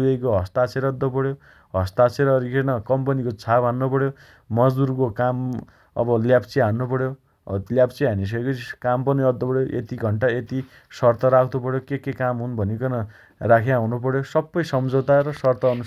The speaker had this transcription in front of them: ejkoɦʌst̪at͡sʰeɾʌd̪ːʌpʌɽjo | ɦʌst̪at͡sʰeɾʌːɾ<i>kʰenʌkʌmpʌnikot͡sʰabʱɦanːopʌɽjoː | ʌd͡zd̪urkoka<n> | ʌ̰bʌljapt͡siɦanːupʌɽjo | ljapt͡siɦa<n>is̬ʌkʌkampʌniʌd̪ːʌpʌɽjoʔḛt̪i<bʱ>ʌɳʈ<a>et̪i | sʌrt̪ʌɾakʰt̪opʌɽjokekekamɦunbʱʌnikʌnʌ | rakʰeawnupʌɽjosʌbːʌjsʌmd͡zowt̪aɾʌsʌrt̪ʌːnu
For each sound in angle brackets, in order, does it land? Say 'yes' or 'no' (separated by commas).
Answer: yes, no, yes, no, yes